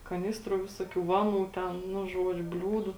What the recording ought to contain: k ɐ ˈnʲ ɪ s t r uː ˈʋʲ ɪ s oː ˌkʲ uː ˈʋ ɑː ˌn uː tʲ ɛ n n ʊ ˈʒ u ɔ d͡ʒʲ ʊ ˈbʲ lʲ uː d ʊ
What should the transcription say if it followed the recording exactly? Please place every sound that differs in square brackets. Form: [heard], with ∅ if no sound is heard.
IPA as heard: k ɐ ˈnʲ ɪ s t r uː ˈʋʲ ɪ s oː ˌkʲ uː ˈʋ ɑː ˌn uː tʲ ɛ n n ʊ ˈʒ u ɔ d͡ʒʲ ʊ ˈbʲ lʲ uː d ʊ